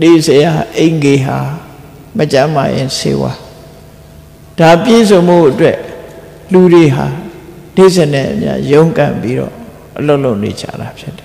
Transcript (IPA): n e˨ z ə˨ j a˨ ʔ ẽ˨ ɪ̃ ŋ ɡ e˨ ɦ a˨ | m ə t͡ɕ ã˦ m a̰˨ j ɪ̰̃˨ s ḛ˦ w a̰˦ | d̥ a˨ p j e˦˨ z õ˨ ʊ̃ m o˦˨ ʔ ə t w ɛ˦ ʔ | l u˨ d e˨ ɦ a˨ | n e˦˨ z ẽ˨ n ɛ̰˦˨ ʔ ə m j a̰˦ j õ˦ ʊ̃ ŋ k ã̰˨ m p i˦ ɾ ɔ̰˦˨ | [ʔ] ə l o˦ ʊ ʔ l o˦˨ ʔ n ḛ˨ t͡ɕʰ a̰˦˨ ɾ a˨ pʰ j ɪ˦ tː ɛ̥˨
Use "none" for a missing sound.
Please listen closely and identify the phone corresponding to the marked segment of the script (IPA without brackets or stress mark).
ʔ